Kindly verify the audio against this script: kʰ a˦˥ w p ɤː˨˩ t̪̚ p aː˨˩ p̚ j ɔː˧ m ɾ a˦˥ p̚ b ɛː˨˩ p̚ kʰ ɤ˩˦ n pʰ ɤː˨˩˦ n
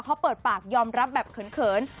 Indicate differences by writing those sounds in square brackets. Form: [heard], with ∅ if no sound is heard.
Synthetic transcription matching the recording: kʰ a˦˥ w p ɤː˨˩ t̪̚ p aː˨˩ [k̚] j ɔː˧ m ɾ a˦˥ p̚ b ɛː˨˩ p̚ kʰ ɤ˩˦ n [kʰ] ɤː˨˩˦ n